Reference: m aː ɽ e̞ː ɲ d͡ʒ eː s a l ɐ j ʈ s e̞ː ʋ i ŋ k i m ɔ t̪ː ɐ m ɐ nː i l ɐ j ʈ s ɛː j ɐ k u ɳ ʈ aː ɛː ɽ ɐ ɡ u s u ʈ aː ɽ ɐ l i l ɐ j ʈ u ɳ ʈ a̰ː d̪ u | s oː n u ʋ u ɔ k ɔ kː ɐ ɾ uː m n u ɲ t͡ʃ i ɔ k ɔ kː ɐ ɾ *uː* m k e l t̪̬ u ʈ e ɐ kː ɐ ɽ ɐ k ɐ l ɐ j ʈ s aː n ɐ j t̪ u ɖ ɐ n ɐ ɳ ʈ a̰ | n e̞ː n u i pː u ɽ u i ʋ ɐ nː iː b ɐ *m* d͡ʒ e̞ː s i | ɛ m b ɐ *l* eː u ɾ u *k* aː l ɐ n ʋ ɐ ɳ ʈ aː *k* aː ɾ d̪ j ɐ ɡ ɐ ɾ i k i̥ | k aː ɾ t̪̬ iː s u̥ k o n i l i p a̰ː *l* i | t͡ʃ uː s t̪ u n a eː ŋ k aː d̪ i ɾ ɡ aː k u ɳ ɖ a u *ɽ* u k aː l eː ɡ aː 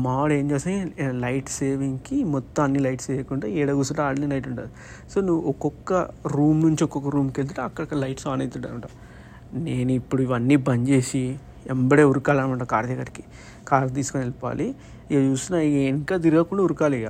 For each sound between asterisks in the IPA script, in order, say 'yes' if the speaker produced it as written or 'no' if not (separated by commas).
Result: yes, no, no, yes, yes, yes, no